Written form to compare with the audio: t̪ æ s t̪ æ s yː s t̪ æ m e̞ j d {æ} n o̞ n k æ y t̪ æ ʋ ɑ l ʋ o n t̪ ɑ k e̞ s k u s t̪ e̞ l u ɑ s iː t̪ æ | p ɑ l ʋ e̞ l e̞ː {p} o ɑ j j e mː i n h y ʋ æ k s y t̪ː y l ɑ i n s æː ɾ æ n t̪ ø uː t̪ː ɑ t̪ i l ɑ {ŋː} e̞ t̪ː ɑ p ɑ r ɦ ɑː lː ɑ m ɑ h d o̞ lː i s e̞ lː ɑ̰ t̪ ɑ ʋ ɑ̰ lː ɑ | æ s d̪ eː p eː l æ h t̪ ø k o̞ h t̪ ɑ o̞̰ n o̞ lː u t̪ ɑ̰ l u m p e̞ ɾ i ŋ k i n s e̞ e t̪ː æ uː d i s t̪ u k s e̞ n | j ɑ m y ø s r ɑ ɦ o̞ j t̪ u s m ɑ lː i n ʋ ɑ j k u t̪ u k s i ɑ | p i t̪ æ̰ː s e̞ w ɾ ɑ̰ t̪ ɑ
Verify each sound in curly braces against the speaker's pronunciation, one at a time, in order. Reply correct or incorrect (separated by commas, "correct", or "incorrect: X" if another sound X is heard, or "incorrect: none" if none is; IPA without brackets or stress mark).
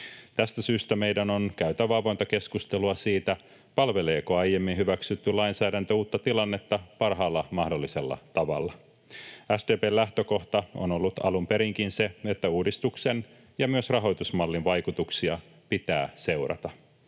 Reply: correct, incorrect: k, incorrect: nː